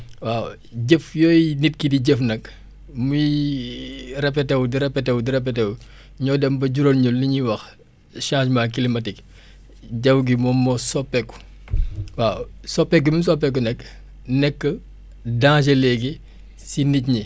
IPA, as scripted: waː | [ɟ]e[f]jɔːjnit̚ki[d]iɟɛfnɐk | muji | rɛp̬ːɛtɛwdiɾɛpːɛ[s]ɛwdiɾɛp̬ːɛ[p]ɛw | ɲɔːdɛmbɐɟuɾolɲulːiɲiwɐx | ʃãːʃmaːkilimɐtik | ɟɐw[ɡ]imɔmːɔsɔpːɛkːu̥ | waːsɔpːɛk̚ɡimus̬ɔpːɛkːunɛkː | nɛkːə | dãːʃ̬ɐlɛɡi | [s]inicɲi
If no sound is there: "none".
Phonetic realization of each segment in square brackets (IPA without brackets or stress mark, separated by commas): ɟ, f, d, t, t, ɡ, s